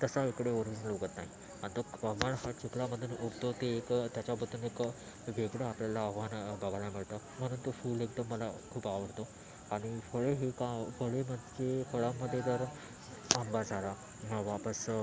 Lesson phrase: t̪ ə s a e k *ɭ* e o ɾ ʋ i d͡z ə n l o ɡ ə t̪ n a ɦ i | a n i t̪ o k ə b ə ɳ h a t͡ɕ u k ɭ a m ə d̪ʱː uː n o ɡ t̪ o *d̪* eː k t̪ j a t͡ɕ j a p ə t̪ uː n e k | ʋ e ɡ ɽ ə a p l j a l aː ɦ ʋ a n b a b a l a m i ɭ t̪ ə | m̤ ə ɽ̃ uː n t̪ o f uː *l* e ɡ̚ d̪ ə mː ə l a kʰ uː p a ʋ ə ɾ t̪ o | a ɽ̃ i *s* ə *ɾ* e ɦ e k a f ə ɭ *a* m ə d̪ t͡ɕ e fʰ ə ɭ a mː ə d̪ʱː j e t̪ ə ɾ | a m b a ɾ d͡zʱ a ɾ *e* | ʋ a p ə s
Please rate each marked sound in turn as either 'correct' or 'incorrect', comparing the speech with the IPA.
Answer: incorrect, incorrect, correct, incorrect, incorrect, incorrect, incorrect

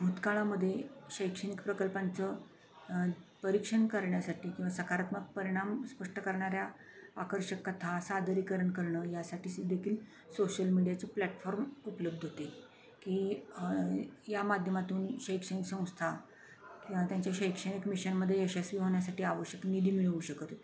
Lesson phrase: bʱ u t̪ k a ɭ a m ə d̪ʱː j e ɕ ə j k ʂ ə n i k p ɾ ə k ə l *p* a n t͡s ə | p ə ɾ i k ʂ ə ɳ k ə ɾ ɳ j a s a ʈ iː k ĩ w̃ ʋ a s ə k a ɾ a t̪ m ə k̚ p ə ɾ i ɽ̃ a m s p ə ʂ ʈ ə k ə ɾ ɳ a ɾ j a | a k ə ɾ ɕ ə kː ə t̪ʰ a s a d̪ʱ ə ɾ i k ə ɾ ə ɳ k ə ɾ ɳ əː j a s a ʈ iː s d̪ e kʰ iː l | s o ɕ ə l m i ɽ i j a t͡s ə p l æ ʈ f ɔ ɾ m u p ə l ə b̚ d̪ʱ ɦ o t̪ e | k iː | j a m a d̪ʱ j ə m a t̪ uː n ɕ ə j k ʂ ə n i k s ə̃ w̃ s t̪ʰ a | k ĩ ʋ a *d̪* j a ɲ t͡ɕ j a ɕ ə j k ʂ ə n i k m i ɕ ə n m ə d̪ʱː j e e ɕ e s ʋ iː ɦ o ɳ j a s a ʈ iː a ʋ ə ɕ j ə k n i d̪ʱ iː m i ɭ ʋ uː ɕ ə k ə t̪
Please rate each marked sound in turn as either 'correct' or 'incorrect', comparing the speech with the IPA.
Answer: correct, incorrect

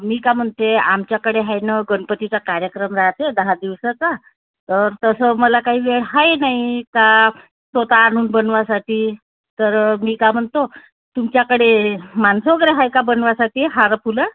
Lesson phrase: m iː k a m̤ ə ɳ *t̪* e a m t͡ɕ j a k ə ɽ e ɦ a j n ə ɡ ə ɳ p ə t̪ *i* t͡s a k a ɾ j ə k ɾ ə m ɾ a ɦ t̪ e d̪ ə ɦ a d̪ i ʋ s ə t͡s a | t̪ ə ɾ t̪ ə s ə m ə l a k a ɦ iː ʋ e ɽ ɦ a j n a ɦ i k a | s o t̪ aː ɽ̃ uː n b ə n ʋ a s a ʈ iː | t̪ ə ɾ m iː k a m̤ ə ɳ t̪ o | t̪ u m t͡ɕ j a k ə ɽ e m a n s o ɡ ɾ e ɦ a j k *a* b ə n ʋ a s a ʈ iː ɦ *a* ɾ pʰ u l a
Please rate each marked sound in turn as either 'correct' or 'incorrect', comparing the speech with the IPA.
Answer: correct, correct, correct, correct

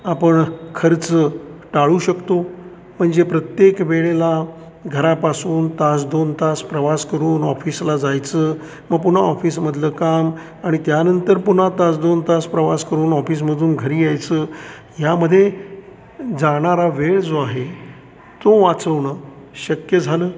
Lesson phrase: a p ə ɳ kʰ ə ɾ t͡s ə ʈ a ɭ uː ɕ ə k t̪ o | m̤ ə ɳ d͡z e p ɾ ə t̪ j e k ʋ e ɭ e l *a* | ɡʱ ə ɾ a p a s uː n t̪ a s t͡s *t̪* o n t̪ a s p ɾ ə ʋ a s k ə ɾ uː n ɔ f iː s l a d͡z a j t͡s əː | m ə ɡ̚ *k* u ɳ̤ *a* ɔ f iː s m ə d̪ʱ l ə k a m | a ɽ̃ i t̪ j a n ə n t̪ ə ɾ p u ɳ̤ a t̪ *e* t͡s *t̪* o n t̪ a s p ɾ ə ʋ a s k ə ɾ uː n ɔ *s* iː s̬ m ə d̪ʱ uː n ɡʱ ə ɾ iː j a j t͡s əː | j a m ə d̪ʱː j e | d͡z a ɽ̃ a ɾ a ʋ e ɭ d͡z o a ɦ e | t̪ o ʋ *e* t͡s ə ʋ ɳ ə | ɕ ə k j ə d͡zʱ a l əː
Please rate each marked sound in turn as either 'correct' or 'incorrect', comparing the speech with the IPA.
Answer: correct, incorrect, incorrect, correct, incorrect, incorrect, incorrect, incorrect

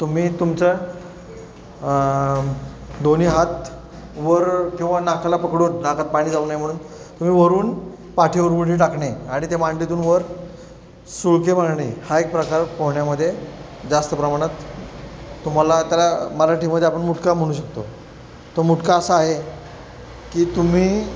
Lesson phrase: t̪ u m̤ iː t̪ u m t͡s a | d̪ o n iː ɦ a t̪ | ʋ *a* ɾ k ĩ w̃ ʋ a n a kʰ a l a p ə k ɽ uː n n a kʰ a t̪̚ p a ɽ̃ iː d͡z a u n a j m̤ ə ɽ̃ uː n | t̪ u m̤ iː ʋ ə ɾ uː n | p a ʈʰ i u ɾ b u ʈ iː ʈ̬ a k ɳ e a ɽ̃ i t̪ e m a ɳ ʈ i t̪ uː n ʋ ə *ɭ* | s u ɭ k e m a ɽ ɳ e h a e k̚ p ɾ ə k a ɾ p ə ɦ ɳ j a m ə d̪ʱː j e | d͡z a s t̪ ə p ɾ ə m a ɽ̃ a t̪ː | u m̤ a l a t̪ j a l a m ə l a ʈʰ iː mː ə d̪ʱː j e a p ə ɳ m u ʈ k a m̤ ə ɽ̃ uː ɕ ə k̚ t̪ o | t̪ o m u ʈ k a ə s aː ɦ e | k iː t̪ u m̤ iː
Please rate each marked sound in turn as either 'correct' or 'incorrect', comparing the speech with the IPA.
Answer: incorrect, incorrect

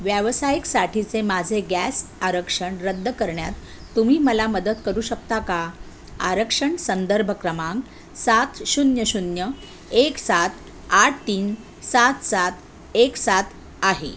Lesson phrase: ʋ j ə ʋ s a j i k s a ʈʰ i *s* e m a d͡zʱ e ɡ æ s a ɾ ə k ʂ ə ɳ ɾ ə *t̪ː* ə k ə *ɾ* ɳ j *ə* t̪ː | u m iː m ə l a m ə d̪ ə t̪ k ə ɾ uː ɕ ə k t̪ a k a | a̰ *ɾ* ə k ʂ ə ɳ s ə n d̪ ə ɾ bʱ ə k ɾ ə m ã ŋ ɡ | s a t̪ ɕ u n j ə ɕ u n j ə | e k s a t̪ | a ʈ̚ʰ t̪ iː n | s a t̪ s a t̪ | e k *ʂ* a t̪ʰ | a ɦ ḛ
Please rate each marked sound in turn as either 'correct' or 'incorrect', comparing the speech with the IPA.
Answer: incorrect, incorrect, correct, incorrect, correct, incorrect

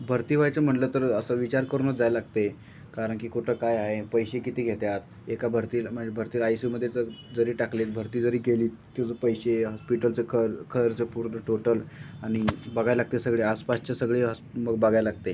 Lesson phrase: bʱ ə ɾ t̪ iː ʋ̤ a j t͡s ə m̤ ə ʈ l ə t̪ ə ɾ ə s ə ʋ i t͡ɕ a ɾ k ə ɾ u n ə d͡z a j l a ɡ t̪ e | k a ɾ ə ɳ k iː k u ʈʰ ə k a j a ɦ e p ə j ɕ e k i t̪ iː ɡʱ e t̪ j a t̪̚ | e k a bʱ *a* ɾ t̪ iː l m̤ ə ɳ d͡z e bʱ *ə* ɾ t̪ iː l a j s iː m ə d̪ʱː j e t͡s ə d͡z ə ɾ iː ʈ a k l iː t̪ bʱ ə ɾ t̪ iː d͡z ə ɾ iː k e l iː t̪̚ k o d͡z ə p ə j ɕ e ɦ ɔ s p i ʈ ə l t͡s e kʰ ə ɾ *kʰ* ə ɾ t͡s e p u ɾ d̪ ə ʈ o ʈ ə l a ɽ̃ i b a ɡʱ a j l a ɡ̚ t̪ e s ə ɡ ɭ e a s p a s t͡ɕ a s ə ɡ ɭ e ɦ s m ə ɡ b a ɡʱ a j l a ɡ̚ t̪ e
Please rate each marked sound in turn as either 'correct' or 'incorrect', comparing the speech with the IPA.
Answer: incorrect, correct, correct

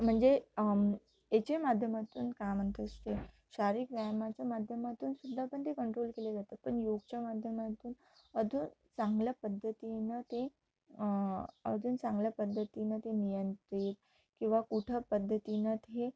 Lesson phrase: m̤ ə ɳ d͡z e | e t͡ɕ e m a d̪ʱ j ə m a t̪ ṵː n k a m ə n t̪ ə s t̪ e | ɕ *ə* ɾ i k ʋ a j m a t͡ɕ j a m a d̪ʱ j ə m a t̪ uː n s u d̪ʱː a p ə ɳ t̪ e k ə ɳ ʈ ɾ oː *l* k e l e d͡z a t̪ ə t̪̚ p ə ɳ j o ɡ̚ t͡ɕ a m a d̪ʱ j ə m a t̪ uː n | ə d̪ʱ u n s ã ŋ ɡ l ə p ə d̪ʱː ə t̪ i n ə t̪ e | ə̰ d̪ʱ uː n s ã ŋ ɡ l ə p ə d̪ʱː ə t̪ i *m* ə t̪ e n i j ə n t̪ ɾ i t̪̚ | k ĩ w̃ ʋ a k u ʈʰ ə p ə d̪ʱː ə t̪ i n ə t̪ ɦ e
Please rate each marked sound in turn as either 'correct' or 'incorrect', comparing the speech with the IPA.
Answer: incorrect, correct, incorrect

